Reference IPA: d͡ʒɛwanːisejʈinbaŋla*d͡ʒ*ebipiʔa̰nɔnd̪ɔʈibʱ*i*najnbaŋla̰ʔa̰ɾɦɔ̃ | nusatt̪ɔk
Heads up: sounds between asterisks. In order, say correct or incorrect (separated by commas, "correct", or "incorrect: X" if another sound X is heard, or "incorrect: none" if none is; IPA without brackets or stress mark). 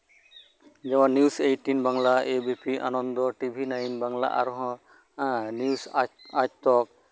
incorrect: none, correct